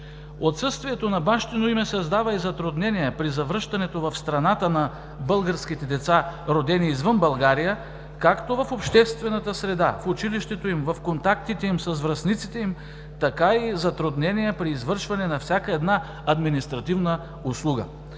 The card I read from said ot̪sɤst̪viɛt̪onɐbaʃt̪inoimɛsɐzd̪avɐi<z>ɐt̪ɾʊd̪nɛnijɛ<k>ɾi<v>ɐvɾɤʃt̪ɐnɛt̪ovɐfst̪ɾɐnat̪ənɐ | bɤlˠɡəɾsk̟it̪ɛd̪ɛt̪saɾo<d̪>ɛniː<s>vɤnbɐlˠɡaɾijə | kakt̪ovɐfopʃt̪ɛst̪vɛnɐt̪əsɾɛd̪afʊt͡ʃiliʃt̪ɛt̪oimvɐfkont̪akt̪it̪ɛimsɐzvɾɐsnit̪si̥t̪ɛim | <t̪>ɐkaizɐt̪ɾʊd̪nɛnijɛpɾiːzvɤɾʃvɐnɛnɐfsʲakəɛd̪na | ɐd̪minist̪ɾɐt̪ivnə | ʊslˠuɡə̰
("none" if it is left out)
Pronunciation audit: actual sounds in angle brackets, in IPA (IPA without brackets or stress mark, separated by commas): z, p, z, d̪, z, t̪